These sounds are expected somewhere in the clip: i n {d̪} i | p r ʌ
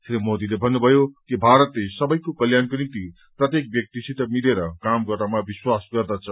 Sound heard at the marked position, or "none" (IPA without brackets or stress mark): t̪